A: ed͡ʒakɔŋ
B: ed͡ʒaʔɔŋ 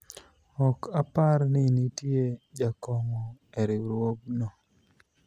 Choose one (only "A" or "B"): A